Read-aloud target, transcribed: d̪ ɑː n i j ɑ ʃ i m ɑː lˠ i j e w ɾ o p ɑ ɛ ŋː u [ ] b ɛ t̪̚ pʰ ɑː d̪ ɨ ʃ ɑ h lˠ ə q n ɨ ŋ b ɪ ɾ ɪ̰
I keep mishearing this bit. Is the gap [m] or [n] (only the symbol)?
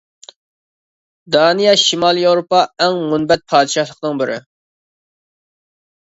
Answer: n